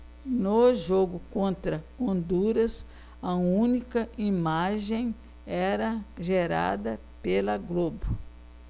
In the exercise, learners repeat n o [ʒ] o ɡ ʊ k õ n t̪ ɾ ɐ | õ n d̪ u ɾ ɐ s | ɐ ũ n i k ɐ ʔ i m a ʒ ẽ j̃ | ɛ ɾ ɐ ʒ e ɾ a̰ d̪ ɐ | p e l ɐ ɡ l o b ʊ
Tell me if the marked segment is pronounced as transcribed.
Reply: yes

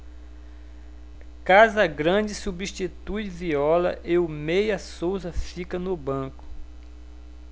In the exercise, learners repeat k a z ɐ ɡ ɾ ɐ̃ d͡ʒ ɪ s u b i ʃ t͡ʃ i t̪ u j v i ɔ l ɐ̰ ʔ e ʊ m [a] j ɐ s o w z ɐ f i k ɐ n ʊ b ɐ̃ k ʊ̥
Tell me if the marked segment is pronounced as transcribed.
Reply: no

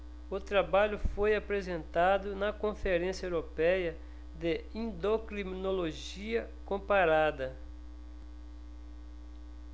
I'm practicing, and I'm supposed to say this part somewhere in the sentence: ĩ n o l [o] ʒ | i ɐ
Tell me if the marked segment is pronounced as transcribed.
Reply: yes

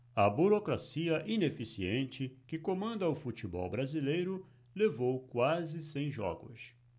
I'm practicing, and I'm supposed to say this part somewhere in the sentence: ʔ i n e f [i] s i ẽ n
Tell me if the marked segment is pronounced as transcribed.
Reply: yes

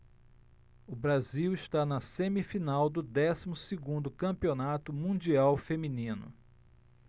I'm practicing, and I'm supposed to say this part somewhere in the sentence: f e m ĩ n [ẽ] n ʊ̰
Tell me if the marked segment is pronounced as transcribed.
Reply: no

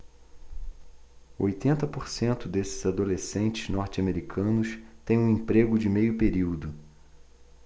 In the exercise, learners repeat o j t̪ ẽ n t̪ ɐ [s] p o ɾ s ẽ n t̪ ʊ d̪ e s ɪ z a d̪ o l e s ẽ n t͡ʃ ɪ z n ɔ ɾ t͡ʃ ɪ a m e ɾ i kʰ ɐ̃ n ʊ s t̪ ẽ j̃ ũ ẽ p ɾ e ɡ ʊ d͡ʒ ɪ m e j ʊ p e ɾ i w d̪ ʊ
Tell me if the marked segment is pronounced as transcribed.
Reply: no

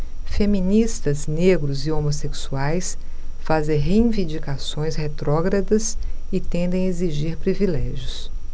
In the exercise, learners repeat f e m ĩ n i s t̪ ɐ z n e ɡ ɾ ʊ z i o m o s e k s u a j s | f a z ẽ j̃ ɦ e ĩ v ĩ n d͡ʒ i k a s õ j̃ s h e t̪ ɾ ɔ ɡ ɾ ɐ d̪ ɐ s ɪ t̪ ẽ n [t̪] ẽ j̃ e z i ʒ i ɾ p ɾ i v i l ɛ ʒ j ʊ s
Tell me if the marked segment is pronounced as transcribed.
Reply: no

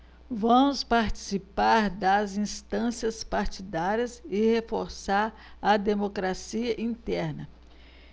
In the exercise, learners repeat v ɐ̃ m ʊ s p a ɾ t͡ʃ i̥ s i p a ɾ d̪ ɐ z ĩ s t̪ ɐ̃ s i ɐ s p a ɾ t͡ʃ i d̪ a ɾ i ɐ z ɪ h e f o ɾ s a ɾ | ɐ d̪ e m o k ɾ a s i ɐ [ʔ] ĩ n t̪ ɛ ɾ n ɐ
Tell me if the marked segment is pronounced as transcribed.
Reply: yes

